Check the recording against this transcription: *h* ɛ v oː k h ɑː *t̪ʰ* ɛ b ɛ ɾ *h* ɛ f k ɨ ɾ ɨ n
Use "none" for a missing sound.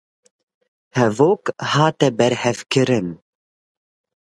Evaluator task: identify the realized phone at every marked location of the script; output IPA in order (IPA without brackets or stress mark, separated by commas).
h, t̪, h